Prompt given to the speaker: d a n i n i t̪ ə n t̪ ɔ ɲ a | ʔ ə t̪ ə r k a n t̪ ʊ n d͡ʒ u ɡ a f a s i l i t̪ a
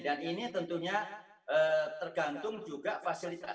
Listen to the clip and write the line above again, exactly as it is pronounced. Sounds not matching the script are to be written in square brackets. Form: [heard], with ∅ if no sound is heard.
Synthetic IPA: d a n i n i t̪ ə n t̪ [u] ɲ a | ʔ ə t̪ ə r [ɡ] a n t̪ ʊ [ŋ] d͡ʒ u ɡ a f a s i l i t̪ a